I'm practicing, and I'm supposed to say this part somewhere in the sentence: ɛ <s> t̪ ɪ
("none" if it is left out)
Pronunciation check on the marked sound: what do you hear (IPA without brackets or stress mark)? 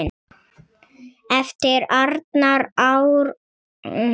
f